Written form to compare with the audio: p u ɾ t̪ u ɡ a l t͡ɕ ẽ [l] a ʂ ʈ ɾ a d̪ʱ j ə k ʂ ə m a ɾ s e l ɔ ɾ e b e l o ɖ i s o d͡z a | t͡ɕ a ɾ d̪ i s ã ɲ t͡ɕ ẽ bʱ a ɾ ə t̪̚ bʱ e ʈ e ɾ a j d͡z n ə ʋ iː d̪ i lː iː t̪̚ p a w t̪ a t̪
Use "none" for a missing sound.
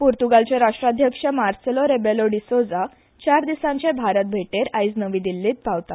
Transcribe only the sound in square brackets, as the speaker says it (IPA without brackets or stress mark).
ɾ